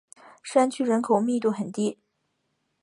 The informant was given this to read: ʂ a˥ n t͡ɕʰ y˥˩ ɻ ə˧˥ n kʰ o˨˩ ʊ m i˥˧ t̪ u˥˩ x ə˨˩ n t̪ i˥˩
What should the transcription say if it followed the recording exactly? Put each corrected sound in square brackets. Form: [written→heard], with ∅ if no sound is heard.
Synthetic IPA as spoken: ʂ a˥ n t͡ɕʰ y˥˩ ɻ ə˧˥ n kʰ o˨˩ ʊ m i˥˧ t̪ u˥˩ x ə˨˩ n t̪ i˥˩